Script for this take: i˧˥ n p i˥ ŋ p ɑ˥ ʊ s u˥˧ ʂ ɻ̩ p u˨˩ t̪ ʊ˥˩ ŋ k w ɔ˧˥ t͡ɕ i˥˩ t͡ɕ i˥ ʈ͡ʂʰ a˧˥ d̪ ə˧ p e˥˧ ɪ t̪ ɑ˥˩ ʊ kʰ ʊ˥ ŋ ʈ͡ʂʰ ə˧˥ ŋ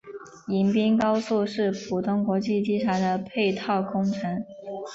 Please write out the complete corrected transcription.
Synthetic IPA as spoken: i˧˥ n p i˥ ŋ k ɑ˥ ʊ s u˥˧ ʂ ɻ̩ pʰ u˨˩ t̪ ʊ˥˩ ŋ k w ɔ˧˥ t͡ɕ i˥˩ t͡ɕ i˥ ʈ͡ʂʰ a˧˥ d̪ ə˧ pʰ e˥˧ ɪ t̪ʰ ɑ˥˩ ʊ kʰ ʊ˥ ŋ ʈ͡ʂʰ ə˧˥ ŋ